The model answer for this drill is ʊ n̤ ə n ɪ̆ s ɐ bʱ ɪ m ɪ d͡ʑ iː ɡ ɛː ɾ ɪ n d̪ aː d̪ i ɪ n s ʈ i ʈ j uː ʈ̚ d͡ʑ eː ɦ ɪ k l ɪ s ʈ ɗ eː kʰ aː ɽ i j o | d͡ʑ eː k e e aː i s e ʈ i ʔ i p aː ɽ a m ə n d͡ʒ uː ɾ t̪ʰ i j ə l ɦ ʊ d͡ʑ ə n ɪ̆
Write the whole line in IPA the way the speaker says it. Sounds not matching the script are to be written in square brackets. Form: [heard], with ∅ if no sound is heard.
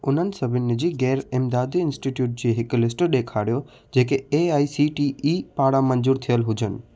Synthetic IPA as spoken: ʊ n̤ ə n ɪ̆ s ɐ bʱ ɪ [n] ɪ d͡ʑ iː ɡ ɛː ɾ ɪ [m] d̪ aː d̪ i ɪ n s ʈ i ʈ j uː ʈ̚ d͡ʑ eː ɦ ɪ k l ɪ s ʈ ɗ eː kʰ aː ɽ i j o | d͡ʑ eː k e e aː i s [i] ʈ i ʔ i p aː ɽ a m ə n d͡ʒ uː ɾ t̪ʰ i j ə l ɦ ʊ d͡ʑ ə n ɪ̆

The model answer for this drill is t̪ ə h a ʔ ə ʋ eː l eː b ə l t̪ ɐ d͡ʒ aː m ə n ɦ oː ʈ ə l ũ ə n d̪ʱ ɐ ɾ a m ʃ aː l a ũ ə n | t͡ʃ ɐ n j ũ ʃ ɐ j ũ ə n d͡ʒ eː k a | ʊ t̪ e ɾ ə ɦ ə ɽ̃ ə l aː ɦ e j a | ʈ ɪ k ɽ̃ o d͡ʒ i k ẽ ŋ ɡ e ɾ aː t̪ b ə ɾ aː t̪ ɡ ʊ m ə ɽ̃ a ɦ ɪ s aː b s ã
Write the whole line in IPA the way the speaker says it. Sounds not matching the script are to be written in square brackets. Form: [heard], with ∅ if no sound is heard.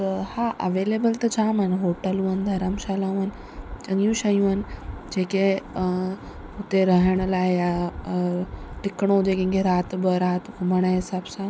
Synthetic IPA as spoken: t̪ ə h a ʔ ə ʋ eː l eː b ə l t̪ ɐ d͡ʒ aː m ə n ɦ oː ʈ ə l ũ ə n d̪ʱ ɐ ɾ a m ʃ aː l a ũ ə n | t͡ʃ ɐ [ŋ] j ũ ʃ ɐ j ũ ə n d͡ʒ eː k [e] | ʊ t̪ e ɾ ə ɦ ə ɽ̃ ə l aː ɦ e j a | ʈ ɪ k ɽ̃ o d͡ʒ [e] k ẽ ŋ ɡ e ɾ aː t̪ b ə ɾ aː t̪ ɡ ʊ m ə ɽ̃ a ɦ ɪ s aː b s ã

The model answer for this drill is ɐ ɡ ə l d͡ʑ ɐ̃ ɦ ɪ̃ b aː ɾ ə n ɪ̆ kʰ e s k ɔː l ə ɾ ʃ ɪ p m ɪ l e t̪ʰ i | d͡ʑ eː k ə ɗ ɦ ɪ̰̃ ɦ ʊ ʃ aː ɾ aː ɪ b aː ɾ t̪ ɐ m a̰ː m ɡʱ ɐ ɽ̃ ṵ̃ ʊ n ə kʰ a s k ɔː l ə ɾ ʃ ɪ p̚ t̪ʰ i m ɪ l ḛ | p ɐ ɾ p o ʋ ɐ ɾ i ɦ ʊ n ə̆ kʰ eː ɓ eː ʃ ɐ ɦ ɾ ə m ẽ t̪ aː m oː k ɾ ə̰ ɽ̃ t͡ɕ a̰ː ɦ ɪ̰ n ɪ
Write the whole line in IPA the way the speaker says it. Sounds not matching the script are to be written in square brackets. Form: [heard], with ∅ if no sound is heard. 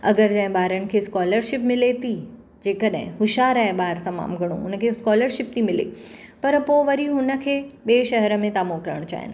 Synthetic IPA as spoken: ɐ ɡ ə [ɾ] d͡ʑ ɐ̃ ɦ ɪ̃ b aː ɾ ə n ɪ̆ kʰ e s k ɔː l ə ɾ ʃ ɪ p m ɪ l e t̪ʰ i | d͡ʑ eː k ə ɗ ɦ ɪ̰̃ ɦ ʊ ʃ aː ɾ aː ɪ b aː ɾ t̪ ɐ m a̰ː m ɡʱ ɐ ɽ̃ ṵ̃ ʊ n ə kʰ [e] s k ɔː l ə ɾ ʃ ɪ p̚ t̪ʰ i m ɪ l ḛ | p ɐ ɾ p o ʋ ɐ ɾ i ɦ ʊ n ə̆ kʰ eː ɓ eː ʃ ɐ ɦ ɾ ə m ẽ t̪ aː m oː k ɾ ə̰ ɽ̃ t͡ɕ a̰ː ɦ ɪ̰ n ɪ

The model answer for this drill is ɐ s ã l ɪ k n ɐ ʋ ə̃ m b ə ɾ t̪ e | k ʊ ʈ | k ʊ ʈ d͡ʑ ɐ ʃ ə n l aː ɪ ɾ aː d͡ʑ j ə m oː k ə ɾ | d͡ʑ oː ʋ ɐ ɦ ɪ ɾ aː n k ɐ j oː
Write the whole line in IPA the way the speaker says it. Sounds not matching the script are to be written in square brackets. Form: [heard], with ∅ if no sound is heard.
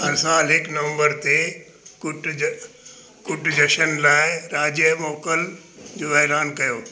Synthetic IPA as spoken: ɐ s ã l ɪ k n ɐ ʋ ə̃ m b ə ɾ t̪ e | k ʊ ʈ | k ʊ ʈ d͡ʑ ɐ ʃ ə n l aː ɪ ɾ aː d͡ʑ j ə m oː k ə [l] | d͡ʑ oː ʋ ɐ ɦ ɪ ɾ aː n k ɐ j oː

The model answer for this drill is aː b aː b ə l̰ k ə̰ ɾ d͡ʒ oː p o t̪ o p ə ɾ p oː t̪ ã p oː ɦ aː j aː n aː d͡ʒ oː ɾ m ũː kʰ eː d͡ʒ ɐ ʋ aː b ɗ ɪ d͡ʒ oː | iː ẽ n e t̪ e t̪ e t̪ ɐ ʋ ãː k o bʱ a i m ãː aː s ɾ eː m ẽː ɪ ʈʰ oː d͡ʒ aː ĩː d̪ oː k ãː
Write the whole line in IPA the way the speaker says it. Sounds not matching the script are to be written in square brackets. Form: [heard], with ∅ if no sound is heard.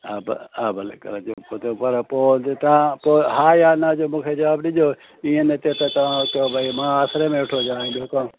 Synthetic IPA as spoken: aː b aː b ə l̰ k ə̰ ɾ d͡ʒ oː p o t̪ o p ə ɾ p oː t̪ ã p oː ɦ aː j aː n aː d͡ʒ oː [∅] m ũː kʰ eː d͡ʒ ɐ ʋ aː b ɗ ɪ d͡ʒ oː | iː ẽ n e t̪ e t̪ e t̪ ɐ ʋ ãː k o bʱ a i m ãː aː s ɾ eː m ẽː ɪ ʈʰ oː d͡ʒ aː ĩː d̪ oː k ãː

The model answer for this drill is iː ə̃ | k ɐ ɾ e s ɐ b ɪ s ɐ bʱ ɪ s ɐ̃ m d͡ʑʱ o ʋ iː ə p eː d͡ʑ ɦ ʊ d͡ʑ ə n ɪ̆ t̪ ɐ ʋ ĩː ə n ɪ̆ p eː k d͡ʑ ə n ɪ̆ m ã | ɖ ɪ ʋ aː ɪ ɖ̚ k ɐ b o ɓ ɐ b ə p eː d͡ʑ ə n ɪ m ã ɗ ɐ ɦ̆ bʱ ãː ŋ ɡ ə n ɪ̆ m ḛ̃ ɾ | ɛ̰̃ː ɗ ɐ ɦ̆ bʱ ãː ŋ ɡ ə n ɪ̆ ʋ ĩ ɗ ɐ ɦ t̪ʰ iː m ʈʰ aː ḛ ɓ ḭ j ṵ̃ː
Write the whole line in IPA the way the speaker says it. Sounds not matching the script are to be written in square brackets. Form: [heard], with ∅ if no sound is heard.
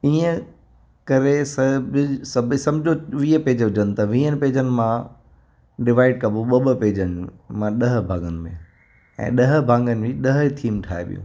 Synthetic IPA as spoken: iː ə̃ | k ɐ ɾ e s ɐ b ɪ s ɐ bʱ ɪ s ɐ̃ m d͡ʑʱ o ʋ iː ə p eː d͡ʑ ɦ ʊ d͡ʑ ə n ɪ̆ t̪ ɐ ʋ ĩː ə n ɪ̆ p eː [∅] d͡ʑ ə n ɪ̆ m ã | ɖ ɪ ʋ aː ɪ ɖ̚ k ɐ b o ɓ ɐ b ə p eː d͡ʑ ə n ɪ m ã ɗ ɐ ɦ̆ bʱ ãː ŋ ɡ ə n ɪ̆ m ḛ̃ [∅] | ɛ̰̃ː ɗ ɐ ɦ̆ bʱ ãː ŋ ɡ ə n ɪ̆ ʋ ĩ ɗ ɐ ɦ t̪ʰ iː m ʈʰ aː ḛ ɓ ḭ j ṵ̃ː

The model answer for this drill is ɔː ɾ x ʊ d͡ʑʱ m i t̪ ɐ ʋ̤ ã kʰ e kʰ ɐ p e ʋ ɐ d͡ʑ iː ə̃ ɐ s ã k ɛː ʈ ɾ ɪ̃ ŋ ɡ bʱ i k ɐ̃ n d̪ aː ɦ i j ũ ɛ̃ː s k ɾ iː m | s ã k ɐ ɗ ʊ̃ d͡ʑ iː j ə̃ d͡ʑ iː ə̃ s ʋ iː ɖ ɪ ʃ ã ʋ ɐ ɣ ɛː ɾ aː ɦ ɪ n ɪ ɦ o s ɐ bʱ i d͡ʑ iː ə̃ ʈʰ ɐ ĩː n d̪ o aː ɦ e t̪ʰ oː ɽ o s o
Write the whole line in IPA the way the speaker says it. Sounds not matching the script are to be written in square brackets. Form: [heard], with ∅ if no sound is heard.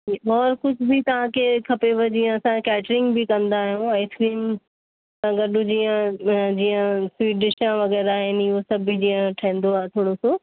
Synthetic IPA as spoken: ɔː ɾ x ʊ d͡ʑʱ [b] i t̪ ɐ ʋ̤ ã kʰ e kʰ ɐ p e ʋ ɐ d͡ʑ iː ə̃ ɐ s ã k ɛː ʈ ɾ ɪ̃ ŋ ɡ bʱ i k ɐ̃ n d̪ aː ɦ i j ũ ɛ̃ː s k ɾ iː m | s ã [ɡ] ɐ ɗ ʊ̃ d͡ʑ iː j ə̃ d͡ʑ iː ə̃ s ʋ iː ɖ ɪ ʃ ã ʋ ɐ ɣ ɛː ɾ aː ɦ ɪ n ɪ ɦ o s ɐ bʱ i d͡ʑ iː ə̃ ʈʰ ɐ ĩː n d̪ o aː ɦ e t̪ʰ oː ɽ o s o

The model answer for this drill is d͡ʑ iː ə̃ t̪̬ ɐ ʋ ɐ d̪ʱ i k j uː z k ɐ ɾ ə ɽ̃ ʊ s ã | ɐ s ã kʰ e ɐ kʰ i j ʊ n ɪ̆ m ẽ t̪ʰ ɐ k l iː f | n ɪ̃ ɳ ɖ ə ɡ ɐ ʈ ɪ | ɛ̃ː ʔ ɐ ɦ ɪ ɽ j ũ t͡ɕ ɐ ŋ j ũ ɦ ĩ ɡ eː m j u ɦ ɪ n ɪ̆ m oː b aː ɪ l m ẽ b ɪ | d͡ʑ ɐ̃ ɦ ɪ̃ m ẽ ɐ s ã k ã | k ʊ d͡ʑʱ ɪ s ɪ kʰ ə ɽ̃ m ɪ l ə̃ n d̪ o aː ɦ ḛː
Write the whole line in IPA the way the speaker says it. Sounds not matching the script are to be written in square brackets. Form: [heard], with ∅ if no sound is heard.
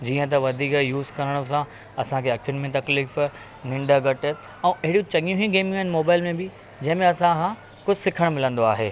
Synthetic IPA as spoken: d͡ʑ iː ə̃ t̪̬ ɐ ʋ ɐ d̪ʱ [iː] k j uː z k ɐ ɾ ə ɽ̃ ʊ s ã | ɐ s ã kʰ e ɐ kʰ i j ʊ n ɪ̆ m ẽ [t̪] ɐ k l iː f | n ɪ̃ ɳ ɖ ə ɡ ɐ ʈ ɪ | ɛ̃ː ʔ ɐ ɦ ɪ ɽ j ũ t͡ɕ ɐ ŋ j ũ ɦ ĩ ɡ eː m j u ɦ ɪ n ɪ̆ m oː b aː ɪ l m ẽ b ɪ | d͡ʑ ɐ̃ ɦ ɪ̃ m ẽ ɐ s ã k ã | k ʊ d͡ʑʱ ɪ s ɪ kʰ ə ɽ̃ m ɪ l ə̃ n d̪ o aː ɦ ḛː

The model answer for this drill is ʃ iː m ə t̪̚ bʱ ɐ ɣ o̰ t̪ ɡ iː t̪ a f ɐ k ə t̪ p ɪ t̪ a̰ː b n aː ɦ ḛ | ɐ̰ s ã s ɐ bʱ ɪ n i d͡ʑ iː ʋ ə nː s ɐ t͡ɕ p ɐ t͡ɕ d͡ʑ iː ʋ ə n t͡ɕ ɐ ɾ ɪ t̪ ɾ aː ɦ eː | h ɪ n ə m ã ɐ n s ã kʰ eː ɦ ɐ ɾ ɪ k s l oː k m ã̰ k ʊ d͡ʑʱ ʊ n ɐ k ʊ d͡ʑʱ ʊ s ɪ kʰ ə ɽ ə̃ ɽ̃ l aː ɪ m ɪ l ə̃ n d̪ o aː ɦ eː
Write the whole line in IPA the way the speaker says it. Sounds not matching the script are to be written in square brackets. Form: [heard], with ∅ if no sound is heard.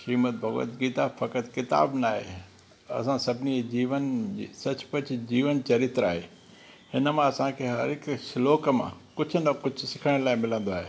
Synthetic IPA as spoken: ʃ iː m ə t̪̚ bʱ ɐ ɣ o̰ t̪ ɡ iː t̪ a f ɐ k ə t̪ [k] ɪ t̪ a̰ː b n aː ɦ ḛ | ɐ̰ s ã s ɐ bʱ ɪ n i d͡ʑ iː ʋ ə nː s ɐ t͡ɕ p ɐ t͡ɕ d͡ʑ iː ʋ ə n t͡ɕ ɐ ɾ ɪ t̪ ɾ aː ɦ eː | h ɪ n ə m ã ɐ [∅] s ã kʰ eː ɦ ɐ ɾ ɪ k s l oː k m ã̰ k ʊ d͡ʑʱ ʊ n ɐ k ʊ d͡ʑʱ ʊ s ɪ kʰ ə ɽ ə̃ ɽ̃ l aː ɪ m ɪ l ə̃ n d̪ o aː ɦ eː

